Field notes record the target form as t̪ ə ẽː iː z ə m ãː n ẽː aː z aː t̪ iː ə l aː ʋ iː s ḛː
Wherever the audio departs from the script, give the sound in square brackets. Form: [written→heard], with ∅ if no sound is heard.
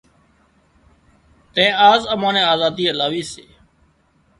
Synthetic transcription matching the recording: t̪ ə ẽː [iː→aː] z ə m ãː n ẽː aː z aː [t̪→d̪] iː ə l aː ʋ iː s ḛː

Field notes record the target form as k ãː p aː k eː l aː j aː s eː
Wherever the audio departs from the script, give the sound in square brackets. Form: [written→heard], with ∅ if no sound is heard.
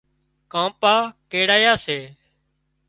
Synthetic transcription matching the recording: k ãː p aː k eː [l→ɽ] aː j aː s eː

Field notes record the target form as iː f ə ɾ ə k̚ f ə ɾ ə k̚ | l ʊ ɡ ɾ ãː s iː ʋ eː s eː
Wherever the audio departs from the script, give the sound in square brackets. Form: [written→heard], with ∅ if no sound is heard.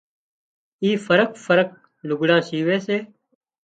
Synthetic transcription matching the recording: iː f ə ɾ ə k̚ f ə ɾ ə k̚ | l ʊ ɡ [ɾ→ɽ] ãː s iː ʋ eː s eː

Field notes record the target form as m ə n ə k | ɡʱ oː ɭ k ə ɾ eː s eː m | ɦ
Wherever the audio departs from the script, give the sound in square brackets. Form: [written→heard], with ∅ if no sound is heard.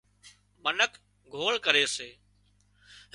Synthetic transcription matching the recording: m ə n ə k | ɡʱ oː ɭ k ə ɾ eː s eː [m→∅] | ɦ

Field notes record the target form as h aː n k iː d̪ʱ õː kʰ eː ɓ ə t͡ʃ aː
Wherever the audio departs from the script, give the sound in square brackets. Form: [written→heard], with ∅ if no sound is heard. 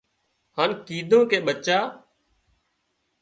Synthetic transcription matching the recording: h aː n k iː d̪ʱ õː [kʰ→k] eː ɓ ə t͡ʃ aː

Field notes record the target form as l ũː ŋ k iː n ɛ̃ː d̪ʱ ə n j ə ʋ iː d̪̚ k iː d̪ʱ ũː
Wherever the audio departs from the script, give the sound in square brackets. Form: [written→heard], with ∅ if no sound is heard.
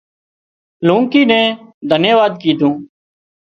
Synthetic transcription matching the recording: l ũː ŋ k iː n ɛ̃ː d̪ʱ ə n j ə ʋ [iː→aː] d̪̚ k iː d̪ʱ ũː

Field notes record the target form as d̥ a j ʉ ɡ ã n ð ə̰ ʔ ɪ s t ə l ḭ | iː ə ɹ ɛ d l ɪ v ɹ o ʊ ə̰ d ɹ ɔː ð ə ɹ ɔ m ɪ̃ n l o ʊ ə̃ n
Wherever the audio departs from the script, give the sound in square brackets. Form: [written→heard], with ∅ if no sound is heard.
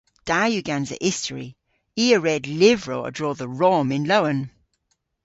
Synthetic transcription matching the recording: d̥ a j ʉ ɡ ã n [ð→z] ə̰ ʔ ɪ s t ə [l→ɹ] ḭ | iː ə ɹ ɛ d l ɪ v ɹ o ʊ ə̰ d ɹ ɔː ð ə ɹ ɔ m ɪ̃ n l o ʊ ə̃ n

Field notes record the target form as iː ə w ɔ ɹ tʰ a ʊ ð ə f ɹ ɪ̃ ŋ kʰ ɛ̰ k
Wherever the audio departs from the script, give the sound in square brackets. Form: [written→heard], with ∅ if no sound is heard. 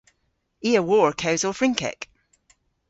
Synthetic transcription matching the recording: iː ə w ɔ ɹ [tʰ→kʰ] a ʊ [ð→z] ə f ɹ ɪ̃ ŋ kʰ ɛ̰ k

